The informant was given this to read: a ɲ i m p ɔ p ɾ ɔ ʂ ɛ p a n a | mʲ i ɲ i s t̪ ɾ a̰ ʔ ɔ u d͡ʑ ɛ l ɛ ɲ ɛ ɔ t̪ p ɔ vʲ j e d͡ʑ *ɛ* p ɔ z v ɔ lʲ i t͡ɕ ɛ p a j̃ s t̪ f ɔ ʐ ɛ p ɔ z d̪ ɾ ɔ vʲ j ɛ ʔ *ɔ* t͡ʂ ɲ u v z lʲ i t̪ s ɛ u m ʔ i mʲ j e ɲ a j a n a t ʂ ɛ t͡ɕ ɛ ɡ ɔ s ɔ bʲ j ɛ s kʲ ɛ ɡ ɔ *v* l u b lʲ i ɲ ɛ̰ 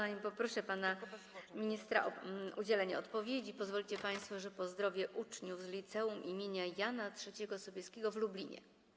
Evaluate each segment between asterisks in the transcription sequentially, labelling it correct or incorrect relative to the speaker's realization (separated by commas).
incorrect, incorrect, correct